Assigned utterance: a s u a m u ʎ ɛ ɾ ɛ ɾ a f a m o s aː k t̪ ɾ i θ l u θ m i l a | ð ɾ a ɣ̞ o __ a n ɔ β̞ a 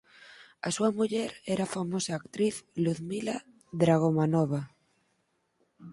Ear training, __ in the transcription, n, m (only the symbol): m